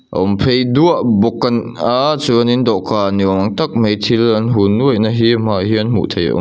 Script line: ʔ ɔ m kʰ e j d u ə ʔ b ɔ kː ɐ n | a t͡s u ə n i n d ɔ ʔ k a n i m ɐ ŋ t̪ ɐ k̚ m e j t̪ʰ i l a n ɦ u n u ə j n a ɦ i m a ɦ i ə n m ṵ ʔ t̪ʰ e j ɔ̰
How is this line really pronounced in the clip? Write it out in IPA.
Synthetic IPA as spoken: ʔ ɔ m pʰ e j d u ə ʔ b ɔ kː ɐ n | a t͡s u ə n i n d ɔ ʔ k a n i m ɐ ŋ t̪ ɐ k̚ m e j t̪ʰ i l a n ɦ u n u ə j n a ɦ i m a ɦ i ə n m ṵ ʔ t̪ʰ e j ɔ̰